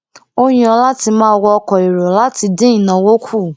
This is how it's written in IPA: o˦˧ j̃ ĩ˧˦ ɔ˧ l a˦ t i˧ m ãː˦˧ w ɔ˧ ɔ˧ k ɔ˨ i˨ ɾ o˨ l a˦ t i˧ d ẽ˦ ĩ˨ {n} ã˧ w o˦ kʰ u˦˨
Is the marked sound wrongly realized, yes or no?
no